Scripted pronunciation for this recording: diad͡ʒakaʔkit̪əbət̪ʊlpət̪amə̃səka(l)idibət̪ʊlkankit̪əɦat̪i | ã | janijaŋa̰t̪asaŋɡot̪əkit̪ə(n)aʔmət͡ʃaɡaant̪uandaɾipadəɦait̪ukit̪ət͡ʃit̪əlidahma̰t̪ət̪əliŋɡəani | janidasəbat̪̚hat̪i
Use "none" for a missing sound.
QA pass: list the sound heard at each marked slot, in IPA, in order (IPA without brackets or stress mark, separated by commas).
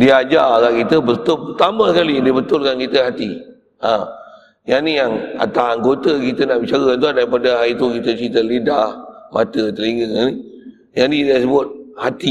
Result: l, n